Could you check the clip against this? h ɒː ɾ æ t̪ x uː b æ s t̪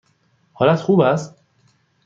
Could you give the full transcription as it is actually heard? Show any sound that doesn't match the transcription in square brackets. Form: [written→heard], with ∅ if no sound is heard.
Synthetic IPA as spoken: h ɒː [ɾ→l] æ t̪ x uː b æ s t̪